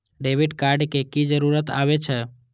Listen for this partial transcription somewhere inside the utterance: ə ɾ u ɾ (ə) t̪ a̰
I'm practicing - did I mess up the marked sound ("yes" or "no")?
no